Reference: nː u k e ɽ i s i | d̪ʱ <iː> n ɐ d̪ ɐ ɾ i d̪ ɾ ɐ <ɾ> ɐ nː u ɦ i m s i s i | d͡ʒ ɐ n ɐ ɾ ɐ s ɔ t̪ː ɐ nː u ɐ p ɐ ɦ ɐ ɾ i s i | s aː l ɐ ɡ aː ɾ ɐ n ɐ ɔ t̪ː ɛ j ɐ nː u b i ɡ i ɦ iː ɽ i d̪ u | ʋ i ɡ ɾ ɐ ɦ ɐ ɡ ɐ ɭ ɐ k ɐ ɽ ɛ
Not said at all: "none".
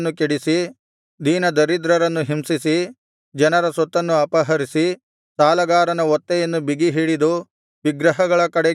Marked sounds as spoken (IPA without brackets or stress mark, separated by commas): iː, ɾ